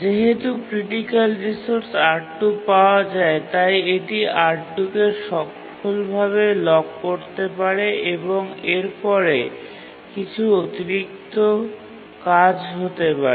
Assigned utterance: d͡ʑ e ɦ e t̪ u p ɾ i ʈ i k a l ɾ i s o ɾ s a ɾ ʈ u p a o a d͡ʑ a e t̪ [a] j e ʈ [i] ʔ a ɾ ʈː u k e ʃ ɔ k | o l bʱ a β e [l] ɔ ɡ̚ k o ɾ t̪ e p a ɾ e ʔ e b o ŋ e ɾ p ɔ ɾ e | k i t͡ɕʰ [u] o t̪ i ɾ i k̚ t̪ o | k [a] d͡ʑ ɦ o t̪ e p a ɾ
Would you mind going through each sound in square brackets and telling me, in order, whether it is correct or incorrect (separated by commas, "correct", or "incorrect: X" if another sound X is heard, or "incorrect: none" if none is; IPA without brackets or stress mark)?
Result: correct, correct, correct, correct, correct